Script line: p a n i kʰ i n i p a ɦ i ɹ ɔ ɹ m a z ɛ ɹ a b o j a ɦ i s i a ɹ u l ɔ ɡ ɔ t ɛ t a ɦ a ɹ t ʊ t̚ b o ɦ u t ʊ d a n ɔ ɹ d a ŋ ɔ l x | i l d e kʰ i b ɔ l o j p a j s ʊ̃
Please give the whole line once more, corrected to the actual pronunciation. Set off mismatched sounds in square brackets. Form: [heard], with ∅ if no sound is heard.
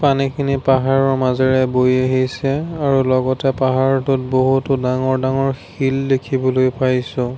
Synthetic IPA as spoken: p a n i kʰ i n i p a ɦ [a] ɹ ɔ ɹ m a z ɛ ɹ [ɛ] b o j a ɦ i s [ɛ] a ɹ u l ɔ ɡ ɔ t ɛ [p] a ɦ a ɹ t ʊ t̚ b o ɦ u t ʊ d a [ŋ] ɔ ɹ d a ŋ ɔ [ɹ] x | i l d e kʰ i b ɔ l o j p a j s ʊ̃